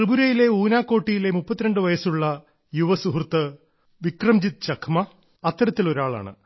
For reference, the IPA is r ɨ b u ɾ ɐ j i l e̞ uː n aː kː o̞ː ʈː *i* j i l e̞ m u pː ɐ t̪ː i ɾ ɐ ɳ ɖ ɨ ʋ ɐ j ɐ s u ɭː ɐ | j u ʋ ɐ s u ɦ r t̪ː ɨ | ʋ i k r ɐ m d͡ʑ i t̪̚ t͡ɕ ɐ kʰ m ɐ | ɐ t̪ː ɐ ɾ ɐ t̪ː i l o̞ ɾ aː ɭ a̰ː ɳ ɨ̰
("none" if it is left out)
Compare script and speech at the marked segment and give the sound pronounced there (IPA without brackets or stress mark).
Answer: i